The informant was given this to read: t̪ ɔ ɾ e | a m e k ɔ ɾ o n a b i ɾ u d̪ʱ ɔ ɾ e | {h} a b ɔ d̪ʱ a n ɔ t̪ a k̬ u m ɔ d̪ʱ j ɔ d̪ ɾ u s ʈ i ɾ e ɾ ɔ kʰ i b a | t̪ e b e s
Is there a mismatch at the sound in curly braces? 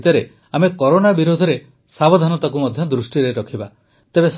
yes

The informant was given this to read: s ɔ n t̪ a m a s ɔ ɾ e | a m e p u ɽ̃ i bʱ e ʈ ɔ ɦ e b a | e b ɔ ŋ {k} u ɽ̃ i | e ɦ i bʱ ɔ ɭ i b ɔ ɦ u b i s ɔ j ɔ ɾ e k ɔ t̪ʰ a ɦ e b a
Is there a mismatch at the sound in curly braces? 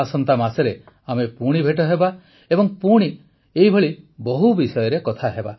yes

